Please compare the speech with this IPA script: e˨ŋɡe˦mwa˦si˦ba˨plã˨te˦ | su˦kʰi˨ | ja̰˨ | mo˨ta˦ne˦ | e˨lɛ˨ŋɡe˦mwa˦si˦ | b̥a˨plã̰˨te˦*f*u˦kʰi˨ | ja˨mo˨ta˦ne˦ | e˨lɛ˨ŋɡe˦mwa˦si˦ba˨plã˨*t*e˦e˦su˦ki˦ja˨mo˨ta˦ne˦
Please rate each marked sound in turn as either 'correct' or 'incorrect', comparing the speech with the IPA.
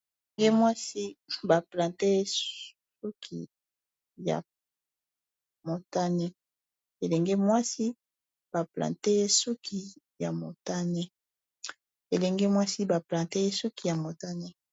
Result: incorrect: s, correct

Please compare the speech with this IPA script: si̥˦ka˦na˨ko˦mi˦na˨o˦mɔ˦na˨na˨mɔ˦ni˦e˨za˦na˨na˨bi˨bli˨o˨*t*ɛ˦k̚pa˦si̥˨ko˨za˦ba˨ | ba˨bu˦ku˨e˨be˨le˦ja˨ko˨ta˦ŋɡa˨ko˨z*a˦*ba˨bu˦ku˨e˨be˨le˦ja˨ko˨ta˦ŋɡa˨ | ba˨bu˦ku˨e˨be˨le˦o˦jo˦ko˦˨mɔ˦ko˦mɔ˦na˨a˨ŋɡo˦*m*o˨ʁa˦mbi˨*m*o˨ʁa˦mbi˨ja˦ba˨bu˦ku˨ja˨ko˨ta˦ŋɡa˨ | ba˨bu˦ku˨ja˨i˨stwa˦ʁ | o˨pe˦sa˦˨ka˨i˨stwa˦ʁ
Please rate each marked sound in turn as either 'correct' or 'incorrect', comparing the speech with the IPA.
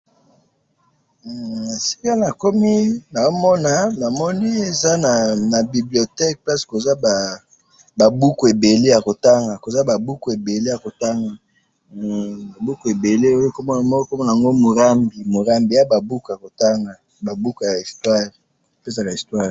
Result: correct, correct, correct, correct

